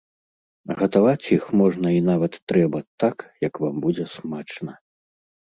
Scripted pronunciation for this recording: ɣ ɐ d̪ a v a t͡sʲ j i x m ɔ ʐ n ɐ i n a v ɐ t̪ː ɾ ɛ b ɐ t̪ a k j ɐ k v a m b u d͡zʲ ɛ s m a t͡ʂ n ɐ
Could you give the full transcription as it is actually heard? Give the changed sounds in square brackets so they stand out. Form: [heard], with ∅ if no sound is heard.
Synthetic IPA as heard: ɣ ɐ [t̪] a v a t͡sʲ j i x m ɔ ʐ n ɐ i n a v ɐ t̪ː ɾ ɛ b ɐ t̪ a k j ɐ k v a m b u d͡zʲ ɛ s m a t͡ʂ n ɐ